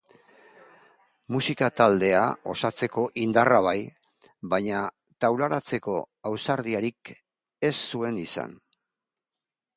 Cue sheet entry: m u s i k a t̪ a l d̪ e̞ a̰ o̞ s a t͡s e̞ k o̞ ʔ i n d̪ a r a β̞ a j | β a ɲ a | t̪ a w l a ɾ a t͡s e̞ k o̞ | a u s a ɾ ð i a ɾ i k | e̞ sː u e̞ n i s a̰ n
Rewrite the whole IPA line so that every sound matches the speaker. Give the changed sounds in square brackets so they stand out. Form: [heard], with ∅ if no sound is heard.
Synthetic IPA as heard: m u s i k a t̪ a l d̪ e̞ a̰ o̞ s a t͡s e̞ k o̞ ʔ i n d̪ a r a β̞ a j | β a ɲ a | t̪ a w l a ɾ a t͡s e̞ k o̞ | a [w] s a ɾ ð i a ɾ i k | e̞ sː u e̞ n i s a̰ n

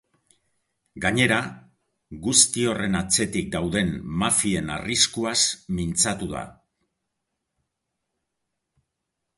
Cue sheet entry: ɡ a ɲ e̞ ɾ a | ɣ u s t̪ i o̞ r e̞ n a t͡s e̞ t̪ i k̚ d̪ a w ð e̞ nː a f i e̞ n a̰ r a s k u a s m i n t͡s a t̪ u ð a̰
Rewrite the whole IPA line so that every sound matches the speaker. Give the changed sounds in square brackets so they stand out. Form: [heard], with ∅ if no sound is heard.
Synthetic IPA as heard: ɡ a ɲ e̞ ɾ a | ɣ u s t̪ i o̞ r e̞ n a t͡s e̞ t̪ i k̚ d̪ a w ð e̞ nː a f i e̞ n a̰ r [i] s k u a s m i n t͡s a t̪ u ð a̰

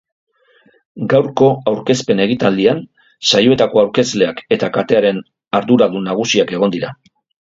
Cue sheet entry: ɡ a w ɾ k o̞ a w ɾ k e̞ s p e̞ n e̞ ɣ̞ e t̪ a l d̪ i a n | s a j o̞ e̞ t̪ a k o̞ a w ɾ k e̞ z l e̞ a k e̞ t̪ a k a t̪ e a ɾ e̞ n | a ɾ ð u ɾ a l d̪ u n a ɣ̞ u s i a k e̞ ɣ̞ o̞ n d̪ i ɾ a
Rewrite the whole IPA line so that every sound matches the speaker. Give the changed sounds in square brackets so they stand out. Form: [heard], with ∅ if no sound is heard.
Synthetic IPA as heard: ɡ a w ɾ k o̞ a w ɾ k e̞ s p e̞ n e̞ ɣ̞ [i] t̪ a l d̪ i a n | s a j o̞ e̞ t̪ a k o̞ a w ɾ k e̞ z l e̞ a k e̞ t̪ a k a t̪ e a ɾ e̞ n | a ɾ ð u ɾ a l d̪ u n a ɣ̞ u s i a k e̞ ɣ̞ o̞ n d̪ i ɾ a

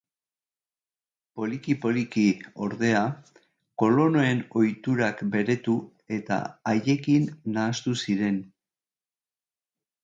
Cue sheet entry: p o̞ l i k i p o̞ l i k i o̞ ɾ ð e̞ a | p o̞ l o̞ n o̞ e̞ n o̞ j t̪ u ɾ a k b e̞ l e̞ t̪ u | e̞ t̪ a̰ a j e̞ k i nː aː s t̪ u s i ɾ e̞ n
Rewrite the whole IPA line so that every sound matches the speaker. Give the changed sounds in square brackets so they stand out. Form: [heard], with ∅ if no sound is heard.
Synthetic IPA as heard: p o̞ l i k i p o̞ l i k i o̞ ɾ ð e̞ a | [k] o̞ l o̞ n o̞ e̞ n o̞ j t̪ u ɾ a k b e̞ [ɾ] e̞ t̪ u | e̞ t̪ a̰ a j e̞ k i nː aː s t̪ u s i ɾ e̞ n

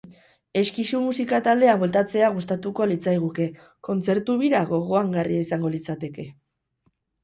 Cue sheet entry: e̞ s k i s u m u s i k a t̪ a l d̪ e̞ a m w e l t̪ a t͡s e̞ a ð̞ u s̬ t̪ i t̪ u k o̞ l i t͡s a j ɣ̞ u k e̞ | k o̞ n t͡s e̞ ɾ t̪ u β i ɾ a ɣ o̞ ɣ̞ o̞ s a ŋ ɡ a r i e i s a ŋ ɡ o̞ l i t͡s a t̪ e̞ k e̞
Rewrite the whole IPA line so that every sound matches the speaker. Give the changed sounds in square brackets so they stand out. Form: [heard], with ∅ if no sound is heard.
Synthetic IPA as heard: e̞ s k i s u m u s i k a t̪ a l d̪ e̞ a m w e l t̪ a t͡s e̞ a [ɣ̞] u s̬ t̪ [a] t̪ u k o̞ l i t͡s a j ɣ̞ u k e̞ | k o̞ n t͡s e̞ ɾ t̪ u β i ɾ a ɣ o̞ ɣ̞ o̞ [∅] a ŋ ɡ a r i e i s a ŋ ɡ o̞ l i t͡s a t̪ e̞ k e̞

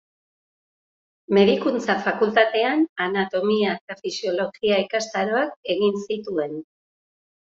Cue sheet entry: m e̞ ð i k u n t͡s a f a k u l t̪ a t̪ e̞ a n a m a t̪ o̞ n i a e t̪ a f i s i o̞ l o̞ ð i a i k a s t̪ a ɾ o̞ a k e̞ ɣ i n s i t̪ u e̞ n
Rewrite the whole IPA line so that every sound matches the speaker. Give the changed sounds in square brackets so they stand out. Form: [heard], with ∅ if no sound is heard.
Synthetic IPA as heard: m e̞ ð i k u n t͡s a f a k u l t̪ a t̪ e̞ a n a [n] a t̪ o̞ [m] i a e t̪ a f i s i o̞ l o̞ [ɣ] i a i k a s t̪ a ɾ o̞ a k e̞ ɣ i n s i t̪ u e̞ n

